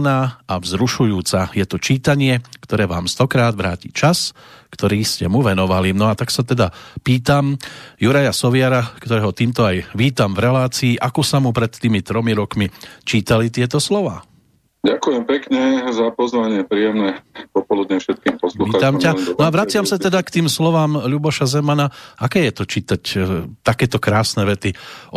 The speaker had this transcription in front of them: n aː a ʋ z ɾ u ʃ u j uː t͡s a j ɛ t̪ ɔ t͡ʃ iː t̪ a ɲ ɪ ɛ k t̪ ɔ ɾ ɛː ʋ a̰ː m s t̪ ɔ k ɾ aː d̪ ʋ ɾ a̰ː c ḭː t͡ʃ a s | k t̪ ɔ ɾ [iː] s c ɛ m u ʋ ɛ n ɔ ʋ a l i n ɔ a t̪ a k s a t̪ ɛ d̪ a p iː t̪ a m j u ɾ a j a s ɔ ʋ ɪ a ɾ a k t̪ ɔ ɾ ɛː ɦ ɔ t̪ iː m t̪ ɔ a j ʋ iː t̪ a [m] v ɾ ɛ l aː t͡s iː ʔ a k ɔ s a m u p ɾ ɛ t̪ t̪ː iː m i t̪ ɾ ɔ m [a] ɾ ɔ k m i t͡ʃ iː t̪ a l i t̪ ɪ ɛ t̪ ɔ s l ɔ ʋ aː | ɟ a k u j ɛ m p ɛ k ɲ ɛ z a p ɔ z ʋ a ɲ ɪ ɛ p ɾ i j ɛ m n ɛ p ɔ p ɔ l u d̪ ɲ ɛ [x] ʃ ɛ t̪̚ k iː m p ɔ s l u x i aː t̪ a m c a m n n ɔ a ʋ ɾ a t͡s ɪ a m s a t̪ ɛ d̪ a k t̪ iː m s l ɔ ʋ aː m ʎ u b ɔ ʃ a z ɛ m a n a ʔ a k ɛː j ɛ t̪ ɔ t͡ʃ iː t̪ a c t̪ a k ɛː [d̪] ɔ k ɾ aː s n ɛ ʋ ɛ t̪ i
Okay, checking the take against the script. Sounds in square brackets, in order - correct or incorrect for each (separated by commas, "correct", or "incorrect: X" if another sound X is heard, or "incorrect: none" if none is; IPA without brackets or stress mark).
correct, correct, incorrect: i, incorrect: f, incorrect: t̪